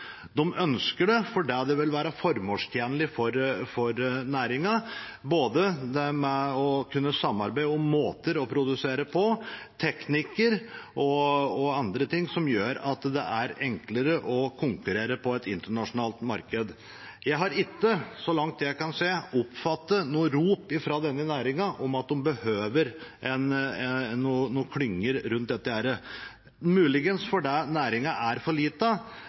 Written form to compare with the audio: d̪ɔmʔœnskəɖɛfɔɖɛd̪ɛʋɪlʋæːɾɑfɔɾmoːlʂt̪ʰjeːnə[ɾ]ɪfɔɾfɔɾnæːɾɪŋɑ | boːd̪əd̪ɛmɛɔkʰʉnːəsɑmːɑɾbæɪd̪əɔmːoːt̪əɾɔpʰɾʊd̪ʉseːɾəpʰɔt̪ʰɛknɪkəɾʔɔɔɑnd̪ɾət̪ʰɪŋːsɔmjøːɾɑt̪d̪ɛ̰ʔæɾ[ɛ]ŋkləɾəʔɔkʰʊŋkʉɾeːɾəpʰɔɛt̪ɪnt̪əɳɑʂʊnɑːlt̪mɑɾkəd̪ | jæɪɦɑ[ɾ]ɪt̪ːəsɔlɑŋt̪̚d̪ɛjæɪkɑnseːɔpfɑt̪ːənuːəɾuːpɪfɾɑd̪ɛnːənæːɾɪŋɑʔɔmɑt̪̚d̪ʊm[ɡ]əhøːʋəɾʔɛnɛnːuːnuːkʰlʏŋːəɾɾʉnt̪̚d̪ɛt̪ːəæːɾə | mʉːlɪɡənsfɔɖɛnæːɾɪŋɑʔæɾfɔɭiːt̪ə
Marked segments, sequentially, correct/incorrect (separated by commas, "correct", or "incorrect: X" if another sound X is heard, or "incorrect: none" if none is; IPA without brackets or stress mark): incorrect: l, correct, correct, incorrect: b